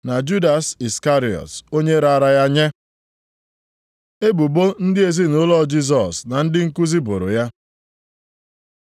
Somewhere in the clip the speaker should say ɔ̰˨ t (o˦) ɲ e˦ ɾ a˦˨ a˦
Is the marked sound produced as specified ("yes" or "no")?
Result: yes